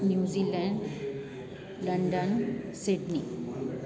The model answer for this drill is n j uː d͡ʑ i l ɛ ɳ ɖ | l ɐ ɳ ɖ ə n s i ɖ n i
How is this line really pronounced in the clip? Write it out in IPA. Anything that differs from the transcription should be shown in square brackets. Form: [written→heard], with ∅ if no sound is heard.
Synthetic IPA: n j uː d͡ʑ i l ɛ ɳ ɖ | l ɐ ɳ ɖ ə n s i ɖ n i